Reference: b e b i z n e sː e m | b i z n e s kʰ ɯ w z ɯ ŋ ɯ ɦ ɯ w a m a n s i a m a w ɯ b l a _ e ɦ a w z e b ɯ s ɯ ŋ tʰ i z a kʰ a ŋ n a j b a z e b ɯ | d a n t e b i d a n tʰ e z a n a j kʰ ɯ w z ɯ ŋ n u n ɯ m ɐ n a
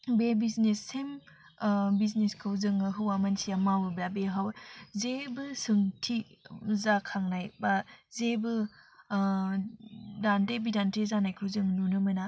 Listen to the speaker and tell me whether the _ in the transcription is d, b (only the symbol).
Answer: b